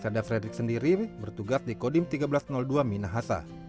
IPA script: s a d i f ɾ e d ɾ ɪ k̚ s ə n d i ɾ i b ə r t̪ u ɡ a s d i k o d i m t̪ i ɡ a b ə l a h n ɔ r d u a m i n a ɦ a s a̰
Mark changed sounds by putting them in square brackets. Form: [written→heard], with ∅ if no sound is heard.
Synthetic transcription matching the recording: s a d [i→a] f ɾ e d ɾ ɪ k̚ s ə n d i ɾ i b ə r t̪ u ɡ a s d i k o d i m t̪ i ɡ a b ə l a [h→s] n ɔ [r→l] d u a m i n a ɦ a s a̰

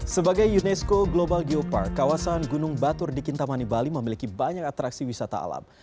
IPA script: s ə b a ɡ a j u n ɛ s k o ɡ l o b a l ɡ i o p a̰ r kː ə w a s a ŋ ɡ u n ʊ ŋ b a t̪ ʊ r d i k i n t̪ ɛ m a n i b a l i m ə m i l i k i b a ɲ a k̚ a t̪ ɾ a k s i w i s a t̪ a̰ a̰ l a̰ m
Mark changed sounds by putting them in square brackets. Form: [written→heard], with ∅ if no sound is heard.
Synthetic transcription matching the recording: s ə b a ɡ a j u n ɛ s k o ɡ l o b a l ɡ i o p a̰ r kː [ə→a] w a s a [ŋ→n] ɡ u n ʊ ŋ b a t̪ ʊ r d i k i n t̪ [ɛ→a] m a n i b a l i m ə m i l i k i b a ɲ a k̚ a t̪ ɾ a k s i w i s a t̪ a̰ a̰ l a̰ m

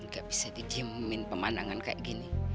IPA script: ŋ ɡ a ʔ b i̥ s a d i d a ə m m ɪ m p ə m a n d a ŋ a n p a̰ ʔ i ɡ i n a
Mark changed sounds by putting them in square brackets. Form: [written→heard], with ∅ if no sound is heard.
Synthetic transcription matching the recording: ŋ ɡ a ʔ b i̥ s a d i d [a→i] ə m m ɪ [m→n] p ə m a n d a ŋ a n [p→k] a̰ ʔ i ɡ i n [a→i]

